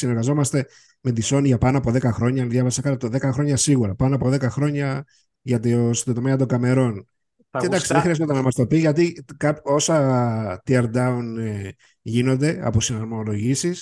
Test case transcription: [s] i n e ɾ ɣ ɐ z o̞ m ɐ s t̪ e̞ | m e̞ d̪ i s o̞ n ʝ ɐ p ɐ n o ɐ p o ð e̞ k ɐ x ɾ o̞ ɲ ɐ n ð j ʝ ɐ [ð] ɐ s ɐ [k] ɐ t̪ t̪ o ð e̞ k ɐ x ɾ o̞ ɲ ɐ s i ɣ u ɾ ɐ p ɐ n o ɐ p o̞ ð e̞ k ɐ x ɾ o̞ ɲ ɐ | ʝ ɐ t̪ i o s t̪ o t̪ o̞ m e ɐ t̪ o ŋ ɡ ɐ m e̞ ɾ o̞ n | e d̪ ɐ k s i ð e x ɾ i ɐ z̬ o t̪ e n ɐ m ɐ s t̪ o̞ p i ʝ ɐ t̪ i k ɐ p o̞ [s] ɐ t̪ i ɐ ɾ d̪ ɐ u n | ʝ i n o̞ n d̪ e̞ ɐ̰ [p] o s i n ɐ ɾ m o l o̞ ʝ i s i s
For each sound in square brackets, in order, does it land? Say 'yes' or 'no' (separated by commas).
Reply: yes, no, yes, yes, yes